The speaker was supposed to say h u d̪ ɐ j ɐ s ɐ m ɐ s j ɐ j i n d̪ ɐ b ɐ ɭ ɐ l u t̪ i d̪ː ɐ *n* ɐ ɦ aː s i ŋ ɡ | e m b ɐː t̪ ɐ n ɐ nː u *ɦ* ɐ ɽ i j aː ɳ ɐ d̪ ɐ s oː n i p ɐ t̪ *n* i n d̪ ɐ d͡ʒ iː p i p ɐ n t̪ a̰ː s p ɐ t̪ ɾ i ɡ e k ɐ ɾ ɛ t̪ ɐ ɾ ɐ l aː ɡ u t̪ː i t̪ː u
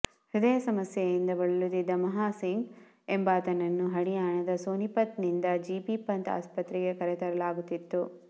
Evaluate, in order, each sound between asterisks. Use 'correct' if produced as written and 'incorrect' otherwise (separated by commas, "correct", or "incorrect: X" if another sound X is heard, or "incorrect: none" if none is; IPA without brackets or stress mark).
incorrect: m, correct, correct